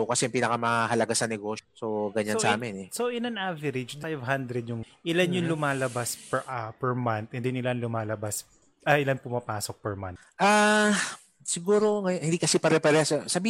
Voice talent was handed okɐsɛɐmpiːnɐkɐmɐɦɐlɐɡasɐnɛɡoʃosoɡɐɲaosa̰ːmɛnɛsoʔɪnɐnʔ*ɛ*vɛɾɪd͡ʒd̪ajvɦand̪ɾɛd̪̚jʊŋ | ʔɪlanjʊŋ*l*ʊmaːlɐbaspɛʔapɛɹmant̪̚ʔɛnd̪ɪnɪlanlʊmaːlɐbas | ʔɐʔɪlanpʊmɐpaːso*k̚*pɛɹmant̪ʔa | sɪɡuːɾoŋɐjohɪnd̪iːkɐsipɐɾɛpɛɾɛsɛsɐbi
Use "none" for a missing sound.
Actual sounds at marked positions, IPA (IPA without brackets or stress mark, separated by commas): a, l, k̚